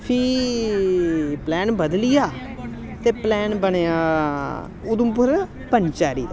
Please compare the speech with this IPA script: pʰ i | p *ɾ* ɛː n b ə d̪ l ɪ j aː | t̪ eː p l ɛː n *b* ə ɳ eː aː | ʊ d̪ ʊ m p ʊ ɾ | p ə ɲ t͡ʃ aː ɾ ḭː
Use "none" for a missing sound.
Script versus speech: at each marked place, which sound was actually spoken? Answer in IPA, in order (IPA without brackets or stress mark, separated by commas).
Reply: l, b